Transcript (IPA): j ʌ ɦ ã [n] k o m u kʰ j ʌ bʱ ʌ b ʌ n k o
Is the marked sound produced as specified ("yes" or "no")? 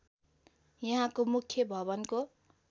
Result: no